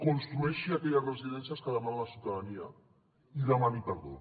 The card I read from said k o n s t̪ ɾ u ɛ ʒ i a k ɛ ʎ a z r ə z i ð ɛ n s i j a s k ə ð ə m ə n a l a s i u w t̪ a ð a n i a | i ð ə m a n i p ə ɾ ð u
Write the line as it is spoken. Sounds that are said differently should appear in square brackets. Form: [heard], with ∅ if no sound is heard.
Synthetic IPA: k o n s t̪ ɾ u ɛ [ʃ] i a k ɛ ʎ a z r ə z i ð ɛ n s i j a s k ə ð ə m [a] n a l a s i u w t̪ a ð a n i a | i ð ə m a n i p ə ɾ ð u